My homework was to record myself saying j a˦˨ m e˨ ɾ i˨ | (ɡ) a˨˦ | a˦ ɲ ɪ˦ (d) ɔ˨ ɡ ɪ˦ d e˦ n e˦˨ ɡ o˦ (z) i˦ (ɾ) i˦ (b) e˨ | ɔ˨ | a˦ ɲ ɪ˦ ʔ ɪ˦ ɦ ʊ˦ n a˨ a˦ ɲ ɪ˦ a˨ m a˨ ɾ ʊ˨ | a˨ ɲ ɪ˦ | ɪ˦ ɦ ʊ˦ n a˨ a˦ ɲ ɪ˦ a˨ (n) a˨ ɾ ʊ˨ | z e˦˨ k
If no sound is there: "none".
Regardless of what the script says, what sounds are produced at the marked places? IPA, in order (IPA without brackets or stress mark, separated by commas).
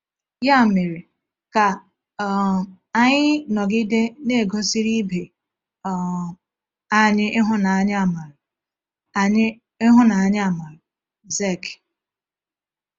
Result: k, n, s, ɾ, b, m